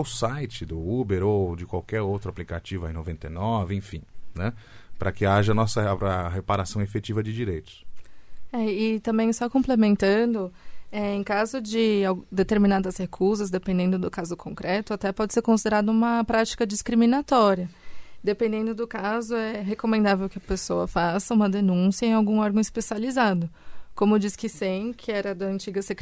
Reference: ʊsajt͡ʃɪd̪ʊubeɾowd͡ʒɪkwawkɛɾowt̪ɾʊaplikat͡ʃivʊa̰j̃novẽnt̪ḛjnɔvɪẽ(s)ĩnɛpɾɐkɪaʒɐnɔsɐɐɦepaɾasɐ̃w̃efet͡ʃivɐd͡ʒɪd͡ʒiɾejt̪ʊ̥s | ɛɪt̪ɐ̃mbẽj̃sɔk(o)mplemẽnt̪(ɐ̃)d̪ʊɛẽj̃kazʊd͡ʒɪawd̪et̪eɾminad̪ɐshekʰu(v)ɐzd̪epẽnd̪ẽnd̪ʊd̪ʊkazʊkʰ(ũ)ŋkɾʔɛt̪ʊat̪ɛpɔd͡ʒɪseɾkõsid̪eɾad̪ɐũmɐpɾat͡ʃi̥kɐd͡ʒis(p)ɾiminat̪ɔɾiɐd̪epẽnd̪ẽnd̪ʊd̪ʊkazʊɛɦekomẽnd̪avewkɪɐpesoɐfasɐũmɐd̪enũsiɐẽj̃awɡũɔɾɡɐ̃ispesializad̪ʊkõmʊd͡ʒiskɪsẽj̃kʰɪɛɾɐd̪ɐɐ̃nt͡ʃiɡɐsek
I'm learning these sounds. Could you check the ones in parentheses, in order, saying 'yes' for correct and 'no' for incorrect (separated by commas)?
no, no, yes, no, no, no